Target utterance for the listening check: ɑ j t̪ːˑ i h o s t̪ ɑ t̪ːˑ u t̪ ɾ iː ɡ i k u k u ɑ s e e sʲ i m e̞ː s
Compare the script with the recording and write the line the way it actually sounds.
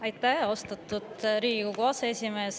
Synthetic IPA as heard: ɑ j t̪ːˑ æ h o s t̪ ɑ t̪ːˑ u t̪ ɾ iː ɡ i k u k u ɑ s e e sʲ i m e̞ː s